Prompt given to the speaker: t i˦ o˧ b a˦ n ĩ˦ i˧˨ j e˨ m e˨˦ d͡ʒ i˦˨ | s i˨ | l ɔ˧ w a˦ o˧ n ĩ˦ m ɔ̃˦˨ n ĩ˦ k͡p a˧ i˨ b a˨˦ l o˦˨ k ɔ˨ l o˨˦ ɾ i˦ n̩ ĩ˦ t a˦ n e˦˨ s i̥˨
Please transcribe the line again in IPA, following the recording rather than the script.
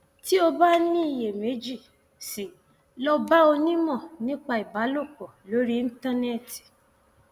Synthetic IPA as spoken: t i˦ o˧ b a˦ n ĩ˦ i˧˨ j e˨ m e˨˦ d͡ʒ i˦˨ | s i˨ | l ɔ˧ b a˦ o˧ n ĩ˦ m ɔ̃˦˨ n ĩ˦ k͡p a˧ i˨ b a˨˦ l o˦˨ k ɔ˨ l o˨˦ ɾ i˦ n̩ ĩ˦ t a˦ n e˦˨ t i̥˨

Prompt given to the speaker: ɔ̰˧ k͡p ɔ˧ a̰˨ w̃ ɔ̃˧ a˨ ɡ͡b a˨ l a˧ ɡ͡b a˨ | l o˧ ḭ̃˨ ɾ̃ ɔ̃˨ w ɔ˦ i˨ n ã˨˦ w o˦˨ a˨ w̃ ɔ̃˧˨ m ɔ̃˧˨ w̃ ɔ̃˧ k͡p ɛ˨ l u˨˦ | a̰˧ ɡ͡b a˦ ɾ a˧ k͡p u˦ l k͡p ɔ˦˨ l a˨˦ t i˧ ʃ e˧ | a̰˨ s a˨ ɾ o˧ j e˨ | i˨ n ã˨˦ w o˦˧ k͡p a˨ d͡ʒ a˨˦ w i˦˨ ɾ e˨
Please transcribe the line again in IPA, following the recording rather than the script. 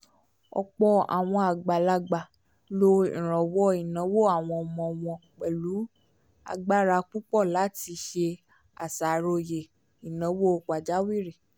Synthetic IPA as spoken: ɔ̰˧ k͡p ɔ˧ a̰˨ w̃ ɔ̃˧ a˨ ɡ͡b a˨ l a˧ ɡ͡b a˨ | l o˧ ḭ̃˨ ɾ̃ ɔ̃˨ w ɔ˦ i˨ n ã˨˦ w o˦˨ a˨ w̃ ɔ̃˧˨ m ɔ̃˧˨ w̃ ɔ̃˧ k͡p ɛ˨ l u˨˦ | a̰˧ ɡ͡b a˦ ɾ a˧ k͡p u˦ k͡p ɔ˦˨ l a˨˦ t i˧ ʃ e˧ | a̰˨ s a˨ ɾ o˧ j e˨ | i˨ n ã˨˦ w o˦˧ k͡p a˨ d͡ʒ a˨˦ w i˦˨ ɾ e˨

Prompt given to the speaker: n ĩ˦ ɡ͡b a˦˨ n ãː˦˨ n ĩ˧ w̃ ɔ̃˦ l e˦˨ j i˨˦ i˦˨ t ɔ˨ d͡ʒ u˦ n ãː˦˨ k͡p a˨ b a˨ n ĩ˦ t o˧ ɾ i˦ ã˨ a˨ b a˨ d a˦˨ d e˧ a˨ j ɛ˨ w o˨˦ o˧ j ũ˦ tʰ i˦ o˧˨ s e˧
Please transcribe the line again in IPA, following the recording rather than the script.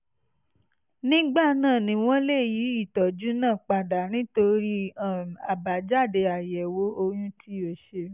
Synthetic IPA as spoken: n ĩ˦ ɡ͡b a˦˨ n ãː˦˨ n ĩ˧ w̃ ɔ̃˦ l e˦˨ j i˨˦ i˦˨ t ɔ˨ d͡ʒ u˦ n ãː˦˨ k͡p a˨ d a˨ n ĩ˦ t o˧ ɾ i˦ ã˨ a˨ b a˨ d͡ʒ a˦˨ d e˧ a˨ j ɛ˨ w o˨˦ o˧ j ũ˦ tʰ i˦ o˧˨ ʃ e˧

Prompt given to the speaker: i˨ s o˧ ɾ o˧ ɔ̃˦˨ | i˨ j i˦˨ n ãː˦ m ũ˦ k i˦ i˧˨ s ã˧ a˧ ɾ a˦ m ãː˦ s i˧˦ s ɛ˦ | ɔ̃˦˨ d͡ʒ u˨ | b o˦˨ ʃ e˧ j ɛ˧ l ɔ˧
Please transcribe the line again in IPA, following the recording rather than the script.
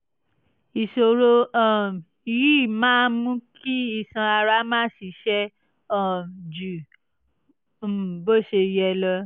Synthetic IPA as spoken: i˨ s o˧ ɾ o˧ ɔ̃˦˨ | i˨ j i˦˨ m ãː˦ m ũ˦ k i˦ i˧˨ s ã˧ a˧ ɾ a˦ m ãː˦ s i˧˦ ʃ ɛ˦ | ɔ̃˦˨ d͡ʒ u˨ | b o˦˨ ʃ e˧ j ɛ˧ l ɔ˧

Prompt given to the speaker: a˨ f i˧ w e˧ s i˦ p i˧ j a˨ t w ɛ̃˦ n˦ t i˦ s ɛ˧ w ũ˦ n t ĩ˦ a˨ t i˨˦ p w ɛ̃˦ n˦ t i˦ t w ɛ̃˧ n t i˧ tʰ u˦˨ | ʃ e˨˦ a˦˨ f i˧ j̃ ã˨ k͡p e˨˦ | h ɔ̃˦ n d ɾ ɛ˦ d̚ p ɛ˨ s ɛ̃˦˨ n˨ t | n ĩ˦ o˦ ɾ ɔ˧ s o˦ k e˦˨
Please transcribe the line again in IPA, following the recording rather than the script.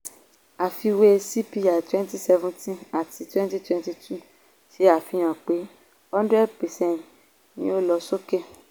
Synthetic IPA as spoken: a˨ f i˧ w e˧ s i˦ p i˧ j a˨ t w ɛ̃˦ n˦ t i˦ s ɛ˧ v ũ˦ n t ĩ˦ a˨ t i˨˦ t w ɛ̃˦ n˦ t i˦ t w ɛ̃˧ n t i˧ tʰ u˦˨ | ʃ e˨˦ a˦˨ f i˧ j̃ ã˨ k͡p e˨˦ | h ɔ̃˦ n d ɾ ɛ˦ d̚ p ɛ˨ s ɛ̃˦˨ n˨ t | n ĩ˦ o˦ l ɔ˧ s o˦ k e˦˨

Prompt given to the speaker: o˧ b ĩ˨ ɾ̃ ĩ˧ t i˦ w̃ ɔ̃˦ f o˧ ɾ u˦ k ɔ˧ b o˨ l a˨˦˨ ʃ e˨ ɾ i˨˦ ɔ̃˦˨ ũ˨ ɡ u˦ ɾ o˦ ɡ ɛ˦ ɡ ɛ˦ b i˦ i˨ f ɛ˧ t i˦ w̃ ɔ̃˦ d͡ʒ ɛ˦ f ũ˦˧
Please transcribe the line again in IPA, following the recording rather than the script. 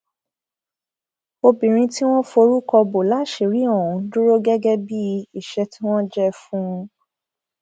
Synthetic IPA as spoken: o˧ b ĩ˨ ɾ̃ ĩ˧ t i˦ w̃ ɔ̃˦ f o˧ ɾ u˦ k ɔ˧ b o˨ l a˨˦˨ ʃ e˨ ɾ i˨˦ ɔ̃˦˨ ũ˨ d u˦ ɾ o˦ ɡ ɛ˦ ɡ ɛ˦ b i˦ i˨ ʃ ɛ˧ t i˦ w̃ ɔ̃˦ d͡ʒ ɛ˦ f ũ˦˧

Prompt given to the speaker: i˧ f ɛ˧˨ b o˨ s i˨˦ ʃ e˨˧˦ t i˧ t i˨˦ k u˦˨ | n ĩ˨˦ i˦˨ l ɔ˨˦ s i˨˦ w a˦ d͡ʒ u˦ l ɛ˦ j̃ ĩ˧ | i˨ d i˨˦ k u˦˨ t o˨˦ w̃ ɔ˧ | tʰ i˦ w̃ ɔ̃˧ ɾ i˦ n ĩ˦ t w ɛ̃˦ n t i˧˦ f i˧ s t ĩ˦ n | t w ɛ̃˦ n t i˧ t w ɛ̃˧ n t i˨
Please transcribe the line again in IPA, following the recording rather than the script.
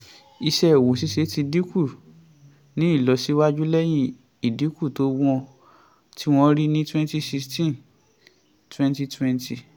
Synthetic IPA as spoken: i˧ ʃ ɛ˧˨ w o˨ s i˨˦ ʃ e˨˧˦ t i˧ d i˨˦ k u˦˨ | n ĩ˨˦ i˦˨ l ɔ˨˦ s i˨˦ w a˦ d͡ʒ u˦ l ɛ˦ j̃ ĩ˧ | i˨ d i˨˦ k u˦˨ t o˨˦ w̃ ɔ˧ | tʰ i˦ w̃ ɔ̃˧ ɾ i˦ n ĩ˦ t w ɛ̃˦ n t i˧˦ s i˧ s t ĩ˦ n | t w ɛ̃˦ n t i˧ t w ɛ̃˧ n t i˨

